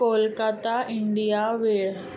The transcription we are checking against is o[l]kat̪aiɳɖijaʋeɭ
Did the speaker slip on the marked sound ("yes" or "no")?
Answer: no